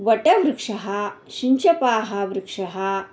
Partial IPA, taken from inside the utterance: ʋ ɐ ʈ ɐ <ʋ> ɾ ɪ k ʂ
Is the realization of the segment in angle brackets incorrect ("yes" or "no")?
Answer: no